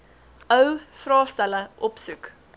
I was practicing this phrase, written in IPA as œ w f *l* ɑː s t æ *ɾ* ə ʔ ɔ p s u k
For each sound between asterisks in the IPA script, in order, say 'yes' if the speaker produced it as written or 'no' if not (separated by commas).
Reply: no, no